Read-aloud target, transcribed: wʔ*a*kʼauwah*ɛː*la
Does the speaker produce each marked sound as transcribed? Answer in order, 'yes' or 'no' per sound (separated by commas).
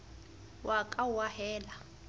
yes, yes